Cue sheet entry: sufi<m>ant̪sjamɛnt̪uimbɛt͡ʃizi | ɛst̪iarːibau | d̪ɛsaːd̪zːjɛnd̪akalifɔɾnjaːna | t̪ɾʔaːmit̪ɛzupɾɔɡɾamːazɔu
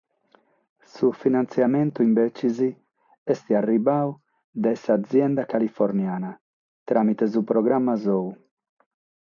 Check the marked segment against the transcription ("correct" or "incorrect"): incorrect